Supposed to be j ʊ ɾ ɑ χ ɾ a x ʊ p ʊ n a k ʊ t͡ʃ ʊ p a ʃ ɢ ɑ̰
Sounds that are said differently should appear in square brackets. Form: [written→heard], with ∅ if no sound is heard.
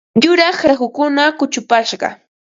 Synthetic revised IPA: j ʊ ɾ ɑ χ ɾ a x ʊ [p→k] ʊ n a k ʊ t͡ʃ ʊ p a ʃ ɢ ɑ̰